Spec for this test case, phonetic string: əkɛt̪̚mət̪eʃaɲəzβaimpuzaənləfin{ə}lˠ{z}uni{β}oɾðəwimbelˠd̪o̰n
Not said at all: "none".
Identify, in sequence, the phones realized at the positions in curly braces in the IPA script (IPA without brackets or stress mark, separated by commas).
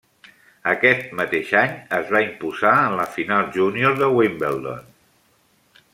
a, ʒ, none